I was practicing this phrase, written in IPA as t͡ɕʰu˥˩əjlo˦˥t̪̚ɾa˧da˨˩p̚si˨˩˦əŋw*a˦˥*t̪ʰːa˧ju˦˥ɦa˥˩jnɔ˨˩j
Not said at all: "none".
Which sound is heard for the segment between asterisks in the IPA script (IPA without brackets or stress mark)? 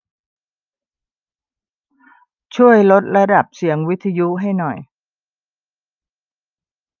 i˦˥